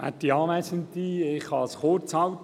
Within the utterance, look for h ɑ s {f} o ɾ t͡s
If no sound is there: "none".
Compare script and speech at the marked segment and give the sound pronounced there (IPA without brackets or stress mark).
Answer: χ